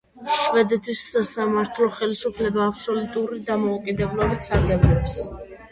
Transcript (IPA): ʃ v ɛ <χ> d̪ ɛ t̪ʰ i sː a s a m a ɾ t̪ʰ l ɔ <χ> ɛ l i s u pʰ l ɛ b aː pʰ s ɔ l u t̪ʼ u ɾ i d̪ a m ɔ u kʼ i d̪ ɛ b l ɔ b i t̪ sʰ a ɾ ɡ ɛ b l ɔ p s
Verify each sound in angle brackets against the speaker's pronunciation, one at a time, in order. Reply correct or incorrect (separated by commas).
incorrect, correct